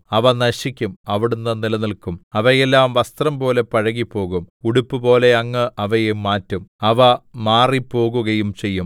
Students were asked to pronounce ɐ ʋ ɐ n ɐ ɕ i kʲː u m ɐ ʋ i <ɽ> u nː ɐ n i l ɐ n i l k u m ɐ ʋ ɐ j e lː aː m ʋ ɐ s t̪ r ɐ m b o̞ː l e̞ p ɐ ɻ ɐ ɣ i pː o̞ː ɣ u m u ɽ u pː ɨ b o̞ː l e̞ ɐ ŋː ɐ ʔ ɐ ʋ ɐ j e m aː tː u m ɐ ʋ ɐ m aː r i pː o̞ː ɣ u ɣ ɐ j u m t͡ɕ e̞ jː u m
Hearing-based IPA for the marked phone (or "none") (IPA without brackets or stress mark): ɽ